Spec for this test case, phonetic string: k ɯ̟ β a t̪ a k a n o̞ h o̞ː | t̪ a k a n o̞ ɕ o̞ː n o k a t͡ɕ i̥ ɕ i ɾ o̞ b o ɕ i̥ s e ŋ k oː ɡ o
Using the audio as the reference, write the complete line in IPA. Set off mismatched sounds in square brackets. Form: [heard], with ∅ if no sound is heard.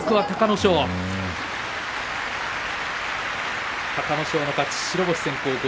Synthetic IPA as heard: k ɯ̟ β a t̪ a k a n o̞ [ɕ] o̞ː | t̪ a k a n o̞ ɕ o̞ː n o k a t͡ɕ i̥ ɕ i ɾ o̞ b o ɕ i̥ s e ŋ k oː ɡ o